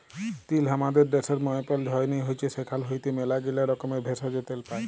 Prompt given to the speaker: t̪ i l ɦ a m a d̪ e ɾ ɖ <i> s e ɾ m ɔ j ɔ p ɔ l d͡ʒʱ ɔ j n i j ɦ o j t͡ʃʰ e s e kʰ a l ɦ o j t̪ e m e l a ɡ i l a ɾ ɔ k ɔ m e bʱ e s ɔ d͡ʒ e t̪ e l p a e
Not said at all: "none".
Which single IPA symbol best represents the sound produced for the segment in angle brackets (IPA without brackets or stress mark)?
e